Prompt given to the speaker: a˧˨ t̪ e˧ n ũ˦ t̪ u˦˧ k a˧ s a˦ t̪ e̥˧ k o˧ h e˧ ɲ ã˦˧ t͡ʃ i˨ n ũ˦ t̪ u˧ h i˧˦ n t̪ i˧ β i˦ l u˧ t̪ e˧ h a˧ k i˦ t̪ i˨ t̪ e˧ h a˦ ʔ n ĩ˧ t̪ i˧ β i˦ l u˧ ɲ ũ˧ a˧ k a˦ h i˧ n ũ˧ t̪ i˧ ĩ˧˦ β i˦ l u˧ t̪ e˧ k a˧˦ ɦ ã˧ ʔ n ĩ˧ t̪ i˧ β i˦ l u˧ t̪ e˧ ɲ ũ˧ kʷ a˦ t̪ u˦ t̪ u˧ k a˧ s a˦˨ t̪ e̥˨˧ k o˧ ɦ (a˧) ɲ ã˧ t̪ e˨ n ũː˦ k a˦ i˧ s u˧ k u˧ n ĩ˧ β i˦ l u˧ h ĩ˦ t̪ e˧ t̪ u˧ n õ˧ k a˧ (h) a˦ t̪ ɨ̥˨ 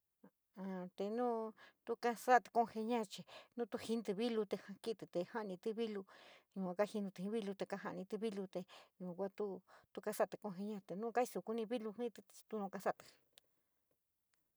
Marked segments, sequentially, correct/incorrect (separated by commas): incorrect, incorrect